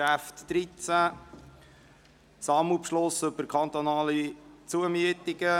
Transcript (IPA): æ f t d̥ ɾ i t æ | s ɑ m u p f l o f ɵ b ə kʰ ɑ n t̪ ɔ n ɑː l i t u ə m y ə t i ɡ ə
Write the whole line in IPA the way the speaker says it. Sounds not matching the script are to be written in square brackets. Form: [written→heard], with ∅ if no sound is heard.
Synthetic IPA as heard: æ f t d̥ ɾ i [t→t͡s] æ | s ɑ m u p [f→ʃ] l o [f→s] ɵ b ə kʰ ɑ n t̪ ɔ n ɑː l i [t→t͡s] u ə m y ə t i ɡ ə